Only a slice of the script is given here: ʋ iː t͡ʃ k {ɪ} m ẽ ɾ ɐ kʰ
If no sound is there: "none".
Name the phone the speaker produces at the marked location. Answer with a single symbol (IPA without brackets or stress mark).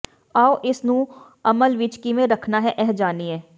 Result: i